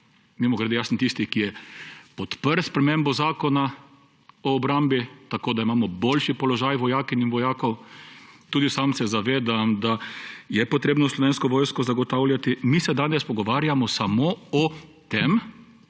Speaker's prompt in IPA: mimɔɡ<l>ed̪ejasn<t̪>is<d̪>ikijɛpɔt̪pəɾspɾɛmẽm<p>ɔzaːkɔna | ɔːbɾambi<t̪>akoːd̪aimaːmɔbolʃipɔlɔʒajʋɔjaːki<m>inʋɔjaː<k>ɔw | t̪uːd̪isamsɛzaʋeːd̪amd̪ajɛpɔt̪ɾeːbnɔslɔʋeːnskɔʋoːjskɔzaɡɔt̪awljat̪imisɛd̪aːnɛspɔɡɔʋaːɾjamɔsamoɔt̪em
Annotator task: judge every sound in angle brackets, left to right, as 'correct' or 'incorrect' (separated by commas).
incorrect, correct, incorrect, incorrect, correct, incorrect, correct